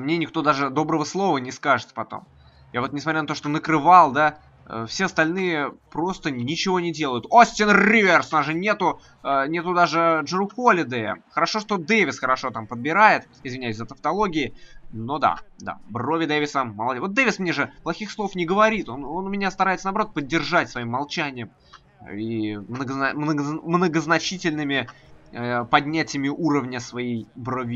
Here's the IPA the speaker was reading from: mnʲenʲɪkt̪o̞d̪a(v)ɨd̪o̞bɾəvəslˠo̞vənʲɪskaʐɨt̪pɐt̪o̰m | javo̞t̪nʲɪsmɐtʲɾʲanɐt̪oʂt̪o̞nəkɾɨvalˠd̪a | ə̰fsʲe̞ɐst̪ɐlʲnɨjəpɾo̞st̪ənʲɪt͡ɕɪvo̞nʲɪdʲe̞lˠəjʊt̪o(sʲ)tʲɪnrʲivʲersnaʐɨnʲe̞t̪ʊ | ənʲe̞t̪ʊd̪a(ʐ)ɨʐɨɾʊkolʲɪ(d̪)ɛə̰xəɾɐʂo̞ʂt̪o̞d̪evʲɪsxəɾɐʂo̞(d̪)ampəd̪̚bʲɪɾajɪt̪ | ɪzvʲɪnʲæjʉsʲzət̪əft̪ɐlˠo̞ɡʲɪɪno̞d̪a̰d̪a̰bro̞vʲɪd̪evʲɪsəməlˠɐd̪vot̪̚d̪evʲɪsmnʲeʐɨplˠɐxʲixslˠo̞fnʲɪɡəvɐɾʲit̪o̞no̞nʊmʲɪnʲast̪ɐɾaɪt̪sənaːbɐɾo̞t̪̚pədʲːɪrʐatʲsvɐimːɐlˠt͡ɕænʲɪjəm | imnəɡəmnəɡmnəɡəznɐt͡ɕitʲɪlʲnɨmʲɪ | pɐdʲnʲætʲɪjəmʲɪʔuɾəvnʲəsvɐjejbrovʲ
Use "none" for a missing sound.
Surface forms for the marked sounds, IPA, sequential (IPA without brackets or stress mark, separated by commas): ʐ, sʲ, ʐ, d̪, t̪